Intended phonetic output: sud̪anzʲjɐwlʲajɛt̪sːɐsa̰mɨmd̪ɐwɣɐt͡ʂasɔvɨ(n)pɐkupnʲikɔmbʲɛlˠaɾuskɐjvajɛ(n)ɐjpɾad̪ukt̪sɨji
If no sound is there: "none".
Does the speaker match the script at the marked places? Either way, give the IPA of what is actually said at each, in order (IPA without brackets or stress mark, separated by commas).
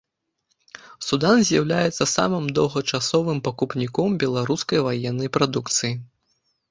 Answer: m, nː